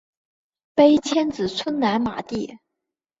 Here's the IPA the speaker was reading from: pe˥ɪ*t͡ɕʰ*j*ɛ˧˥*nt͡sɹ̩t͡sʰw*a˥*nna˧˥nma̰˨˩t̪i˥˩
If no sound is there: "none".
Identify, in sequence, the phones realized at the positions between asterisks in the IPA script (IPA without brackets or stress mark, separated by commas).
t͡ɕʰ, ɛ˥, ə˥